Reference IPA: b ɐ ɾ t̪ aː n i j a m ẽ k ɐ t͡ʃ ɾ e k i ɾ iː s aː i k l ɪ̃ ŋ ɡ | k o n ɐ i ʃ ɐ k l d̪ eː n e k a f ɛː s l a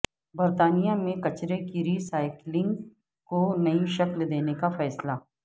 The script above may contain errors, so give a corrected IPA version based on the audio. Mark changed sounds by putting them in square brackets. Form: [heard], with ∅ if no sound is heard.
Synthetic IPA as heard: b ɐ ɾ t̪ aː n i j a m ẽ k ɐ t͡ʃ ɾ e k i ɾ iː s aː [ɪ] k l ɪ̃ ŋ ɡ | k o n ɐ i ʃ ɐ k l d̪ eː n e k a f ɛː s l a